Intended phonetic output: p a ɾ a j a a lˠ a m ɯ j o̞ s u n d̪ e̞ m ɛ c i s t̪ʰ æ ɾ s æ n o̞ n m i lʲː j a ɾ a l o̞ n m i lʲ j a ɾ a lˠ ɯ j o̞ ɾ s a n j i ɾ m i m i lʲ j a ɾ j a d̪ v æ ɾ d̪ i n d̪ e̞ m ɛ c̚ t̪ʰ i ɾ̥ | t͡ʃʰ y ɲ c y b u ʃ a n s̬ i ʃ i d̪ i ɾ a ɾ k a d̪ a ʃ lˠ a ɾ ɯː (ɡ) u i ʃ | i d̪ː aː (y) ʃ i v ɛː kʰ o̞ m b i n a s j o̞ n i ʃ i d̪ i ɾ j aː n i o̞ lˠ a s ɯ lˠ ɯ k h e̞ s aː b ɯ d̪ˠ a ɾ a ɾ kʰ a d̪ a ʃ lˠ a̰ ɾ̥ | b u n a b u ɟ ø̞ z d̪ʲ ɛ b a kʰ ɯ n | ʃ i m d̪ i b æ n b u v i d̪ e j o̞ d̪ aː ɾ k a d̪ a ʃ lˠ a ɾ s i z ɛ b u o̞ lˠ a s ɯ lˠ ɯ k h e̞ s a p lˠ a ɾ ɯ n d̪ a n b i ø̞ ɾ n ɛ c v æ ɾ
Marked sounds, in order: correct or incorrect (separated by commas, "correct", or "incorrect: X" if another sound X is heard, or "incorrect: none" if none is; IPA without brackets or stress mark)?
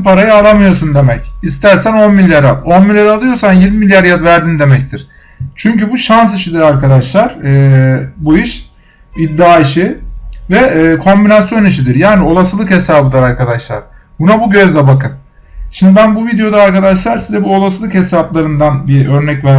incorrect: b, incorrect: i